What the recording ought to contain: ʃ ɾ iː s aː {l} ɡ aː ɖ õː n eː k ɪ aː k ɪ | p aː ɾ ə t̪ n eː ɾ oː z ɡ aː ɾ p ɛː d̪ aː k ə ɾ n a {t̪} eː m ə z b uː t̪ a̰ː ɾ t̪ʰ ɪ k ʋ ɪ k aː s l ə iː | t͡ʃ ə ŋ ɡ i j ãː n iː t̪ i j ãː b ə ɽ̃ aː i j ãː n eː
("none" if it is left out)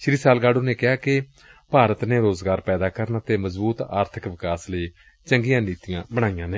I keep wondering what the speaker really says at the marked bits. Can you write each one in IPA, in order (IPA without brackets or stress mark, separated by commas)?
l, t̪